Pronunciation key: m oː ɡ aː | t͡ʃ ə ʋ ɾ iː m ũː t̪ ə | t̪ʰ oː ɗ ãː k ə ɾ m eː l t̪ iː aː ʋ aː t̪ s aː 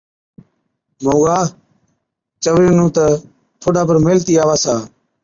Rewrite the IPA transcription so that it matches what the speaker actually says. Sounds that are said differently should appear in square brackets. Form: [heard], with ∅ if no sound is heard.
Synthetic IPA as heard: m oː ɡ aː | t͡ʃ ə ʋ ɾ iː [n] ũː t̪ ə | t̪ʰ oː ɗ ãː [p] ə ɾ m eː l t̪ iː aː ʋ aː [∅] s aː